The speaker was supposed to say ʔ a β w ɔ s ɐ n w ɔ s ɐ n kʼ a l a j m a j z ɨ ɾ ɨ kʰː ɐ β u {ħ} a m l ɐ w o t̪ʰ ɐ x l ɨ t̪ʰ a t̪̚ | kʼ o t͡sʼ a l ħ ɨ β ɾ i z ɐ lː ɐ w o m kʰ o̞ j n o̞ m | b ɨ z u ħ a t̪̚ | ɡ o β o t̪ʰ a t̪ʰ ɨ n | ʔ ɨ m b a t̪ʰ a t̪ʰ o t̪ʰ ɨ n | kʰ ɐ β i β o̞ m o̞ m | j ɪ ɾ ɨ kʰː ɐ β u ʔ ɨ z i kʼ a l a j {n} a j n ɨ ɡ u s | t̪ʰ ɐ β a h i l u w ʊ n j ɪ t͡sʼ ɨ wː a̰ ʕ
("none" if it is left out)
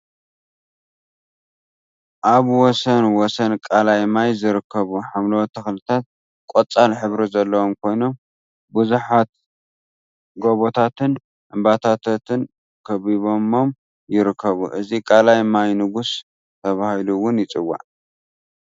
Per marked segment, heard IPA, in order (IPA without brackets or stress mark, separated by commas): ħ, m